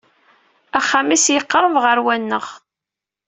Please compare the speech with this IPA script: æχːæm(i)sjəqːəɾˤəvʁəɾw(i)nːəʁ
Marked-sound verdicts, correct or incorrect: correct, incorrect

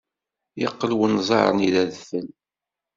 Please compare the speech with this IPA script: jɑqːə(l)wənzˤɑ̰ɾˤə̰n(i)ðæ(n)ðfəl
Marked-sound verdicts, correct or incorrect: correct, correct, incorrect

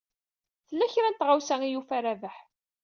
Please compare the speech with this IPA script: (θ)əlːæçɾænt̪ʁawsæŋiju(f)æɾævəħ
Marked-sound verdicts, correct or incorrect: correct, correct

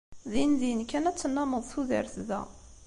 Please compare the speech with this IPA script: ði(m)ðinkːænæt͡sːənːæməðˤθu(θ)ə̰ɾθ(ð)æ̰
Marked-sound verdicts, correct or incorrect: incorrect, incorrect, correct

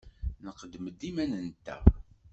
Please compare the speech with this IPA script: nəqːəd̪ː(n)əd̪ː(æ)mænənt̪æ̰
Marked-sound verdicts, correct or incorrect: incorrect, incorrect

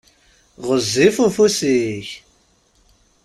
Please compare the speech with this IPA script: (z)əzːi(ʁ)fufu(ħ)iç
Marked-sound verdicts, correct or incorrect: incorrect, incorrect, incorrect

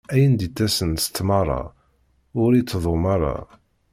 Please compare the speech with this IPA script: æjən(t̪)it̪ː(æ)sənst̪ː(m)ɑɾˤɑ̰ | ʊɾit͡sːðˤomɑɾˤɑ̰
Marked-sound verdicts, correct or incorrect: incorrect, correct, correct

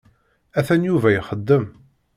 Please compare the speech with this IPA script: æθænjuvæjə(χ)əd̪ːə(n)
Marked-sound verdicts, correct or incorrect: correct, incorrect

